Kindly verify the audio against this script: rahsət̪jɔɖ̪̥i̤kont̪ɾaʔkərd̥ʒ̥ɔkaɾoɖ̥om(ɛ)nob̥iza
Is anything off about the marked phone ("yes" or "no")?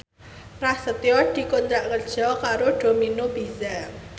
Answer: yes